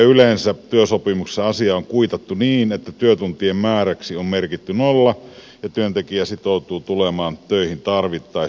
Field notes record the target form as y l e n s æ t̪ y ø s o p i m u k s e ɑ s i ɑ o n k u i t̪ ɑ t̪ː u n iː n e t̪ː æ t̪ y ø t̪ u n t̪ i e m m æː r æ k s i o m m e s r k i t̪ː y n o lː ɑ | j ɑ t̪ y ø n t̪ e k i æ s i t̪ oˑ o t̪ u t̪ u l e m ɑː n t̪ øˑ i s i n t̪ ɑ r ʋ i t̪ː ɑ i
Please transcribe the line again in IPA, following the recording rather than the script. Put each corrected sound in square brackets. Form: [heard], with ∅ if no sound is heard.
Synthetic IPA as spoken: y l e n s æ t̪ y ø s o p i m u k s e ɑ s i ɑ o [ŋ] k u i t̪ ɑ t̪ː u n iː n e t̪ː æ t̪ y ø t̪ u n t̪ i e m m æː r æ k s i o m m e [∅] r k i t̪ː y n o lː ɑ | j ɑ t̪ y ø n t̪ e k i æ s i t̪ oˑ [u] t̪ [uː] t̪ u l e m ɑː n t̪ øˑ i [h] i n t̪ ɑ r ʋ i t̪ː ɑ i